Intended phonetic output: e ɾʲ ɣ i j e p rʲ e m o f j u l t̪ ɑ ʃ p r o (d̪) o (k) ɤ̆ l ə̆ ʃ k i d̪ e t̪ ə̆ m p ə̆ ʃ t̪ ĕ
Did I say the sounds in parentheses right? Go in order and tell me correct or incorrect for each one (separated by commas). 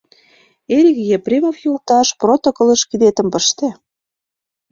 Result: incorrect, correct